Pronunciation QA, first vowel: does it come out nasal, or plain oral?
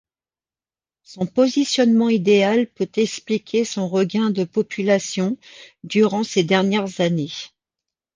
nasal